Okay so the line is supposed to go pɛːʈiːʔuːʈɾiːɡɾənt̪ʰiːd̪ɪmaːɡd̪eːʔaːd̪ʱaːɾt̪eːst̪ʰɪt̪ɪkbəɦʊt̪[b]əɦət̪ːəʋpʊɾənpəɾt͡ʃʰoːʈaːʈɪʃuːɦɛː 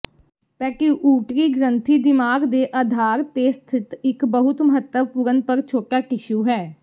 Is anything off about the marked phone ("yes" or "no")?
yes